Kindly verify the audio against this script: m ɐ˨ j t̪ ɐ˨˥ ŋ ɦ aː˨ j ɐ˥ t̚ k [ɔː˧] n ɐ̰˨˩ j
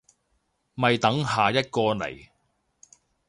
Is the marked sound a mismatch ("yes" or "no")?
no